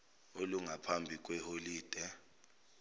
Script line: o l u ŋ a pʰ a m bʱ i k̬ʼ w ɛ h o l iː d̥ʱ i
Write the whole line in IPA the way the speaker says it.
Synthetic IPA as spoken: o l u ŋ a pʰ a m bʱ i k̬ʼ w ɛ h o l iː d̥ʱ ɛ